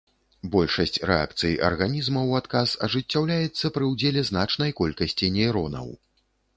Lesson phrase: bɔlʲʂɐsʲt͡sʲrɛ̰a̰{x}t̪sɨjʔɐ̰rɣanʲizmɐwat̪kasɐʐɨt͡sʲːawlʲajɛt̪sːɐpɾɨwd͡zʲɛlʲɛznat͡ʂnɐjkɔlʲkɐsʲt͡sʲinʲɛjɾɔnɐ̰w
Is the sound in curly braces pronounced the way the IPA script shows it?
no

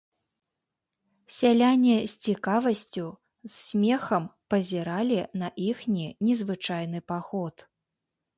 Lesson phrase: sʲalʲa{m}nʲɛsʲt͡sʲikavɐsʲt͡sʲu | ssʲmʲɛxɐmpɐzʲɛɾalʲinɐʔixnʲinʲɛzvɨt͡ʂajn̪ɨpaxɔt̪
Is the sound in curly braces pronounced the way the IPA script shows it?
no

